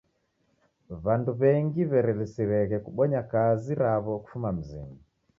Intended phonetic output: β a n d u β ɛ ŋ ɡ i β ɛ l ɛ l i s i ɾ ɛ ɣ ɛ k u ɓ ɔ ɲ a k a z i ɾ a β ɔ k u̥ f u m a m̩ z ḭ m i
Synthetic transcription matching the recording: β a n d u β ɛ ŋ ɡ i β ɛ ɾ ɛ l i s i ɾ ɛ ɣ ɛ k u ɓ ɔ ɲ a k a z i ɾ a β ɔ k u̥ f u m a m̩ z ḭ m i